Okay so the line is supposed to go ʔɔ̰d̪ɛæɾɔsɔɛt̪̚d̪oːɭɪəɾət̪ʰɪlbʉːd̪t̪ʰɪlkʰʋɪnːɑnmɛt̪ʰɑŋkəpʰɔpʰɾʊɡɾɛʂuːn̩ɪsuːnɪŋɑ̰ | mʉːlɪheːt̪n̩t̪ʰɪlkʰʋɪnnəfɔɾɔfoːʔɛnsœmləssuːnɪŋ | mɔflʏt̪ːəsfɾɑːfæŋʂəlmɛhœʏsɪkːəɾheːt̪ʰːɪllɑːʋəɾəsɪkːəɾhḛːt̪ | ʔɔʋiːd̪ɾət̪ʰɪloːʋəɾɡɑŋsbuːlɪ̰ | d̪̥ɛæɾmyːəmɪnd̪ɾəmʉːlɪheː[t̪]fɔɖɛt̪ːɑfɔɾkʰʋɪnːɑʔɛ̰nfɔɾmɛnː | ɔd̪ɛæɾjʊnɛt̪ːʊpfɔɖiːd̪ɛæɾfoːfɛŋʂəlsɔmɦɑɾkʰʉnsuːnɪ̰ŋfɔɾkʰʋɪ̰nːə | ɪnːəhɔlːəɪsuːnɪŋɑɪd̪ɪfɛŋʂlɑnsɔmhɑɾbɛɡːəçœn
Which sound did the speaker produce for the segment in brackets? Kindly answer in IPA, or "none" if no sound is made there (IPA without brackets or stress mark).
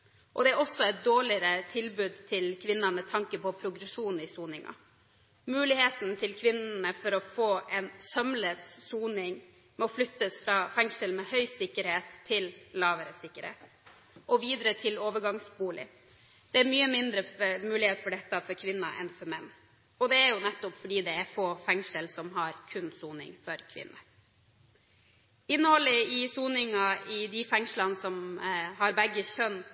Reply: t̪